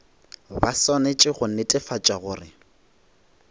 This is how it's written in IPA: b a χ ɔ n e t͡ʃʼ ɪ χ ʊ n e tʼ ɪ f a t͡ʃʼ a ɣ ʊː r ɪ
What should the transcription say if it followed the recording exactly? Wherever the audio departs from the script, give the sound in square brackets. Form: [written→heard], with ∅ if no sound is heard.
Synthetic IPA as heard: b a [χ→s] ɔ n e t͡ʃʼ ɪ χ ʊ n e tʼ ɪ f a t͡ʃʼ a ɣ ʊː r ɪ